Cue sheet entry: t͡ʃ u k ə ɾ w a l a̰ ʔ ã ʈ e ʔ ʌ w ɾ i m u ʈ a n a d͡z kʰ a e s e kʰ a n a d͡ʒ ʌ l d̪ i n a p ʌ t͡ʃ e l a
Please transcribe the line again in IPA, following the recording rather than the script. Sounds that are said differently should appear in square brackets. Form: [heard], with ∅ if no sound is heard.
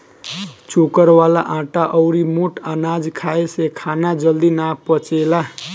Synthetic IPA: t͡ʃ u k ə ɾ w a l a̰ ʔ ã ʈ [a] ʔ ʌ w ɾ i m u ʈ a n a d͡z kʰ a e s e kʰ a n a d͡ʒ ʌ l d̪ i n a p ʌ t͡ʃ e l a

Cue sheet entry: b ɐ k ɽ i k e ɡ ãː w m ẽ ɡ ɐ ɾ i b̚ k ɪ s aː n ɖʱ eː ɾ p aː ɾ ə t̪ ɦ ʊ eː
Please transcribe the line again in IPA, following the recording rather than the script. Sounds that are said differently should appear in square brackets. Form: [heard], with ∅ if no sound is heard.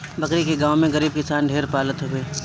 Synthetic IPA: b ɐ k [ɾ] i k e ɡ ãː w m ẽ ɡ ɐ ɾ [iː] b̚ k ɪ s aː n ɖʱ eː ɾ p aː [l] ə t̪ ɦ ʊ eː

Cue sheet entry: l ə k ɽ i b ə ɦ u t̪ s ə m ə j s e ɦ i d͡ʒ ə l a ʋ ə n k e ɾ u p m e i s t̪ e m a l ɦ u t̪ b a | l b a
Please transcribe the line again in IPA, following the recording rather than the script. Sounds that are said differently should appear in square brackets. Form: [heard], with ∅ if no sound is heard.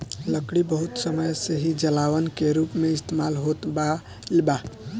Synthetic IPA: l ə k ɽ i b ə ɦ u t̪ s ə m ə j s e ɦ i d͡ʒ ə l a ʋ ə n k e ɾ u p m e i s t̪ e m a l ɦ [o] t̪ b a | l b a

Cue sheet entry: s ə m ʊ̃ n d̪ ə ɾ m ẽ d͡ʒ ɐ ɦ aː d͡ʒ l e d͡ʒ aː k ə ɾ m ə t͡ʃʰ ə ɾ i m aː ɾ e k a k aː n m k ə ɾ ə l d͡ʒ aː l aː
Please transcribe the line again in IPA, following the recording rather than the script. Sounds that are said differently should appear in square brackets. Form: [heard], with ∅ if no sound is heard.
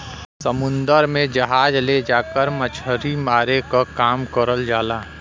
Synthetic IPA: s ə m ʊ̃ n d̪ ə ɾ m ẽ d͡ʒ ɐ ɦ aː d͡ʒ l e d͡ʒ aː k ə ɾ m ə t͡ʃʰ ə ɾ i m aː ɾ e k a k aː [∅] m k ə ɾ ə l d͡ʒ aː l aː

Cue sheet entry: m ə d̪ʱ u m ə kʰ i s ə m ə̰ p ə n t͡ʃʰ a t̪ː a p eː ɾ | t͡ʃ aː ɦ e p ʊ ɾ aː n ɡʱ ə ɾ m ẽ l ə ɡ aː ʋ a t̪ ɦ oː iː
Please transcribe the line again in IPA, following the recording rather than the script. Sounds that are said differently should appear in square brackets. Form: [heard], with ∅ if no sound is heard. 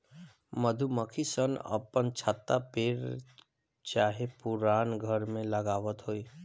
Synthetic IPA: m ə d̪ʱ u m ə kʰ i s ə [n] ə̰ p ə n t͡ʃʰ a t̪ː a p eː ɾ | t͡ʃ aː ɦ e p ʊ ɾ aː n ɡʱ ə ɾ m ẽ l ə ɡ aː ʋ [ə] t̪ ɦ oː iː

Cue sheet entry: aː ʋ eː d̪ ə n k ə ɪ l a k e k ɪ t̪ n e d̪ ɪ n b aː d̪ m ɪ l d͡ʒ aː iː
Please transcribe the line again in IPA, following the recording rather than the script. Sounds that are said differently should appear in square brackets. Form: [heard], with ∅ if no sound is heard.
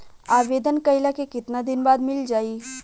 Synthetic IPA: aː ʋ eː d̪ ə n k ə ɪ l a k e k ɪ t̪ n [a] d̪ ɪ n b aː d̪ m ɪ l d͡ʒ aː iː

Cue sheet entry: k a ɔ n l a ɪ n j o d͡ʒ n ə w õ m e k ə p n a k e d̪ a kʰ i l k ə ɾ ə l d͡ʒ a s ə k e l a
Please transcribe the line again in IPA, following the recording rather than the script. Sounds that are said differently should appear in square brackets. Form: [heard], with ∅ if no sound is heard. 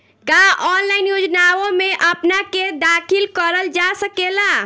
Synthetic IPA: k a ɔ n l a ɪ n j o d͡ʒ n [a] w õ m e [ʔ] ə p n a k e d̪ a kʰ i l k ə ɾ ə l d͡ʒ a s ə k e l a

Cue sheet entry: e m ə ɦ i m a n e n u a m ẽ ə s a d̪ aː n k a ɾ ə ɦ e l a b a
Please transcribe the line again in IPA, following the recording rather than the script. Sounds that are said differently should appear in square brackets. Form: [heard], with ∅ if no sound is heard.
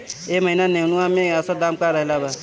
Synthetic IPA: e m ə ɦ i [n] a n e n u a m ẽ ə s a d̪ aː [m] k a ɾ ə ɦ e l a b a

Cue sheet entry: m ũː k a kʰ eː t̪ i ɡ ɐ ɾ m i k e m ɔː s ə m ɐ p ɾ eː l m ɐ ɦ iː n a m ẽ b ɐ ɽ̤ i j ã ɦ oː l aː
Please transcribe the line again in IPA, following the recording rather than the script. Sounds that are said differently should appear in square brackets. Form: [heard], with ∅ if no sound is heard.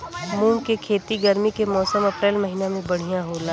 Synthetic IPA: m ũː k [e] kʰ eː t̪ i ɡ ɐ ɾ m i k e m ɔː s ə m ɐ p ɾ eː l m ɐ ɦ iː n a m ẽ b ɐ ɽ̤ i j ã ɦ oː l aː

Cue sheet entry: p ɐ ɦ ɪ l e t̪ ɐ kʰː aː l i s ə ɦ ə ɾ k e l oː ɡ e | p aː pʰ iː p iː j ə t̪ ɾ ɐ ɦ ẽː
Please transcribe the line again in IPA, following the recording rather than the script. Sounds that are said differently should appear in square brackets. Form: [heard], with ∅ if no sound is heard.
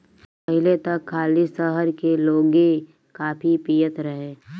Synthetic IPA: p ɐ ɦ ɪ l e t̪ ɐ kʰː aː l i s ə ɦ ə ɾ k e l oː ɡ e | [k] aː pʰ [i] p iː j ə t̪ ɾ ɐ ɦ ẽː

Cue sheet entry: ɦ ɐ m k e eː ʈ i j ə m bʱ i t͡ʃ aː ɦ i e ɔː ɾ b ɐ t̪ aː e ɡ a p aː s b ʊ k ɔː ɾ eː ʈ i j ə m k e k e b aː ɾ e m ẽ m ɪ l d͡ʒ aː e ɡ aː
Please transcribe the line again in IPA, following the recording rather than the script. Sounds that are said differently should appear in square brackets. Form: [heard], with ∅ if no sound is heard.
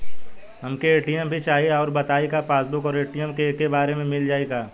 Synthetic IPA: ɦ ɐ m k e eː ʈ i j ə m bʱ i t͡ʃ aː ɦ i e ɔː ɾ b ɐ t̪ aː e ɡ a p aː s b ʊ k ɔː ɾ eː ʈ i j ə m k e k e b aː ɾ e m ẽ m ɪ l d͡ʒ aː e ɡ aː

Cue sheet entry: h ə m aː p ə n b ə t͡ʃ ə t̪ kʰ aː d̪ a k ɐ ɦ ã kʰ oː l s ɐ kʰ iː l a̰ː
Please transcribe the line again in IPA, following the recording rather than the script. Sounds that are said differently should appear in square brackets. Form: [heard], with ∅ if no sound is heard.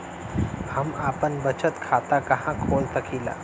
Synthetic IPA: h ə m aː p ə n b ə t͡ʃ ə t̪ kʰ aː [t̪] a k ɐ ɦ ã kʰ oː l s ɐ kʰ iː l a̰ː

